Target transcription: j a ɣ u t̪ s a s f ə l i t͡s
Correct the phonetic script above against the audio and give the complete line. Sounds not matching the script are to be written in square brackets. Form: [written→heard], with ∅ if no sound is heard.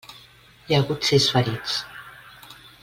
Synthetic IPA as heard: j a ɣ u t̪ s [a→i] s f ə [l→ɾ] i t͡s